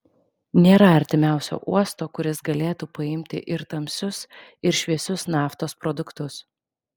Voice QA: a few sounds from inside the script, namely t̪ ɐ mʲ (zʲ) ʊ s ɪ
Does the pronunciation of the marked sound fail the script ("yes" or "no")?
yes